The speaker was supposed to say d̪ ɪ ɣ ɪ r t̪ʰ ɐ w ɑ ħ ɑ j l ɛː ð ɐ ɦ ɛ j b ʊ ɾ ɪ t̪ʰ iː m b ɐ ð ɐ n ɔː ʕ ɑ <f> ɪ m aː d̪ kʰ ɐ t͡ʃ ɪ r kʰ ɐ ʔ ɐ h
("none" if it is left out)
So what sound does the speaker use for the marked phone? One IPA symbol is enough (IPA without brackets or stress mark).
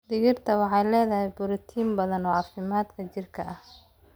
f